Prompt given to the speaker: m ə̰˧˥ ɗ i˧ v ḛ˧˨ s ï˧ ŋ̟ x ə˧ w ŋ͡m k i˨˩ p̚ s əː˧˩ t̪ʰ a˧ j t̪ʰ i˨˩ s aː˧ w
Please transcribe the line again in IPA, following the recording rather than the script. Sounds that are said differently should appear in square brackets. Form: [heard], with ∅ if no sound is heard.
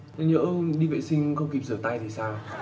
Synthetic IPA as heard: [ɲ] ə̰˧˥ ɗ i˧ v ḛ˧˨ s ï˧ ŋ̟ x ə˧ w ŋ͡m k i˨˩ p̚ [z] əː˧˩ [t̪] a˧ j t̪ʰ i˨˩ s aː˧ w